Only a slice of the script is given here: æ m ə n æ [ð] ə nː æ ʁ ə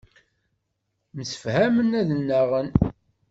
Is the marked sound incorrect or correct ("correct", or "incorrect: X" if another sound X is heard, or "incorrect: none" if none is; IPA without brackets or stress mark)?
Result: correct